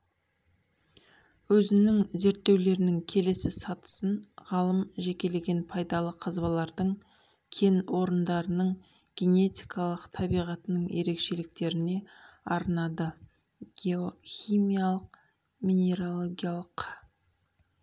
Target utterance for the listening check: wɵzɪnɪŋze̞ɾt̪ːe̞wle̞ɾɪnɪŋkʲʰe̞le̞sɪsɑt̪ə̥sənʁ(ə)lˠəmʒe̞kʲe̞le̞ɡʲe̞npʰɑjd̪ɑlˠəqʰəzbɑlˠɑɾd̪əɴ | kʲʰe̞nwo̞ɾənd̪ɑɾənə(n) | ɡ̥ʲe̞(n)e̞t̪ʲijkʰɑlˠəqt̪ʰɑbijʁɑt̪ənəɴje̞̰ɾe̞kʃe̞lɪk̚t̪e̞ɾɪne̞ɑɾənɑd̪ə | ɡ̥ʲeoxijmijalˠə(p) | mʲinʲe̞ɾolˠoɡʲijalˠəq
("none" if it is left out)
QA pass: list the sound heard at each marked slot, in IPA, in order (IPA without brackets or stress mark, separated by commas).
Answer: ɑ, ɴ, n, q